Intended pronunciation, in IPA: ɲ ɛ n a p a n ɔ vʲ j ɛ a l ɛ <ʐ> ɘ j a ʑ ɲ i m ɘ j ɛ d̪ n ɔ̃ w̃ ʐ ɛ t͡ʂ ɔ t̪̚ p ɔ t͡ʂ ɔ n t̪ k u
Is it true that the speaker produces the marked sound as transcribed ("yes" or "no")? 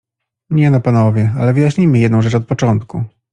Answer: no